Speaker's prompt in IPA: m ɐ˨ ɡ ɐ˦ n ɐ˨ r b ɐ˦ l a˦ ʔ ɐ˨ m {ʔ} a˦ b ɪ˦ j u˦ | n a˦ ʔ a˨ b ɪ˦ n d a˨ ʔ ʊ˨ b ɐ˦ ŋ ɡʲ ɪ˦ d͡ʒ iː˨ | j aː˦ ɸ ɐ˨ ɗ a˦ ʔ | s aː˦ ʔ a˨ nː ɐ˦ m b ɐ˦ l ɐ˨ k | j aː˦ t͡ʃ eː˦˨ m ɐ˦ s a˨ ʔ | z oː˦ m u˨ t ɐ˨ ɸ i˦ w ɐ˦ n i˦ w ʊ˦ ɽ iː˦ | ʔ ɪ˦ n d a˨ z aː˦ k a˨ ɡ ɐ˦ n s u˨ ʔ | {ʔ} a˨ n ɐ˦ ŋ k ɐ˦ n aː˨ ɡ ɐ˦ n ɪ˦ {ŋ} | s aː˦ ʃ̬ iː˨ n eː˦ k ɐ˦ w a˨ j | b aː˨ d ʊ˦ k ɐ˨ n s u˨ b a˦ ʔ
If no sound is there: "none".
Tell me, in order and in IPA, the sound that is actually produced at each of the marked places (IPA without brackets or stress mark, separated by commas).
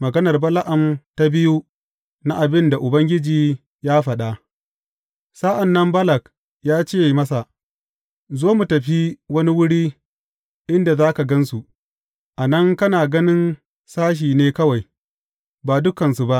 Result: t, ʔ, n